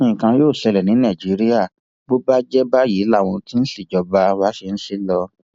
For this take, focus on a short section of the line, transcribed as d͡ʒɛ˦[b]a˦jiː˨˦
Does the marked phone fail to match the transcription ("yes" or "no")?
no